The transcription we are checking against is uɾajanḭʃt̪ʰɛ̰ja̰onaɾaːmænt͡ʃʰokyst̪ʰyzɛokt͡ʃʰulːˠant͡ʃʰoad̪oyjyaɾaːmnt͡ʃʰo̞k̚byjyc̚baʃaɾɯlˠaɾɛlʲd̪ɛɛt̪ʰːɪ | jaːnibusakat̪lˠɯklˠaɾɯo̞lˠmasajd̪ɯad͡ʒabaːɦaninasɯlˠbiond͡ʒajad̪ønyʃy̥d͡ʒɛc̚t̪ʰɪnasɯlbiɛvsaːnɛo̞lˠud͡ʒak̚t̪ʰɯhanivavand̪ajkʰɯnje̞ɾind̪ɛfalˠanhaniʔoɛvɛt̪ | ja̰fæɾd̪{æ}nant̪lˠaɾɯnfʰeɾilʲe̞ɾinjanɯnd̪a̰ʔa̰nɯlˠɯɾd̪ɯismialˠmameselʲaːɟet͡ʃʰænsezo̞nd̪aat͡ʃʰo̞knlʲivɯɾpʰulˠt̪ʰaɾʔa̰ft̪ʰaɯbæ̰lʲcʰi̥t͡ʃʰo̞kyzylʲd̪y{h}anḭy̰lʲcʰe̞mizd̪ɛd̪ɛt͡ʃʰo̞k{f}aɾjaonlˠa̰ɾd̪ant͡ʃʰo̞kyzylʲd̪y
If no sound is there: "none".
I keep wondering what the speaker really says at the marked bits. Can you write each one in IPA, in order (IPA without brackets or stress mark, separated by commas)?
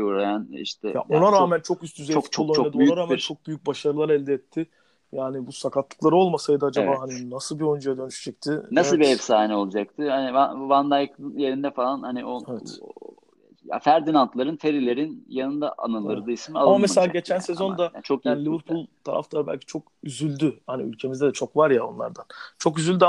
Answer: i, h, v